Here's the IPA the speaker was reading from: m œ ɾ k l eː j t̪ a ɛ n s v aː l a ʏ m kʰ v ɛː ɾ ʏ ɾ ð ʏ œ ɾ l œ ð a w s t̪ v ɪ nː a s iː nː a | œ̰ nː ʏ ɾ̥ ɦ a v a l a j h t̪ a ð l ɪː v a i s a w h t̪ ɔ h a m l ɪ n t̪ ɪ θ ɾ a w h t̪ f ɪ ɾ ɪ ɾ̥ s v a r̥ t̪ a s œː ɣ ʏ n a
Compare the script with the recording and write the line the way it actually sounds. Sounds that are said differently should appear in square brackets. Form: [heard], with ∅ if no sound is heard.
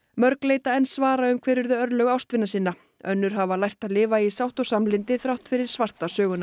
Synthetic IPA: m œ ɾ k l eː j t̪ a ɛ n s v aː [ɾ] a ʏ m kʰ v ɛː ɾ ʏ ɾ ð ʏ œ ɾ l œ [ɣ] a w s t̪ v ɪ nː a s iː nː a | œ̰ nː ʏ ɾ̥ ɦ a v a l a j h t̪ a ð l ɪː v a i s a w h t̪ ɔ [s] a m l ɪ n t̪ ɪ θ ɾ a w h t̪ f ɪ ɾ ɪ ɾ̥ s v a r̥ t̪ a s œː ɣ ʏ n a